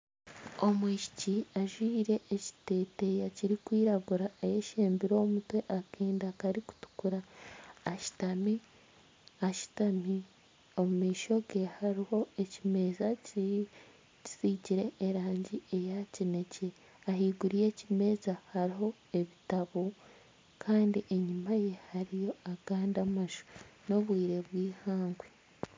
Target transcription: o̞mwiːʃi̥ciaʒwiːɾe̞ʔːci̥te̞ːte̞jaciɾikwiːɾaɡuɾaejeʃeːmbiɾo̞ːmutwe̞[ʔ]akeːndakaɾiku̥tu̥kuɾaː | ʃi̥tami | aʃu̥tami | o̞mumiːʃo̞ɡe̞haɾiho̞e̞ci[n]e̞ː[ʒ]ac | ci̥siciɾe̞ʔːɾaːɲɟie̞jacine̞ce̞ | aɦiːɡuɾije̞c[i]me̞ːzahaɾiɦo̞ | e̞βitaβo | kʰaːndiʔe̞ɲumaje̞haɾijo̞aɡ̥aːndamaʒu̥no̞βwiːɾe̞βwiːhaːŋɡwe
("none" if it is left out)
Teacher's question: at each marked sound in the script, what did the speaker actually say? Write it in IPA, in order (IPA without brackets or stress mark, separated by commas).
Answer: ʔ, m, z, i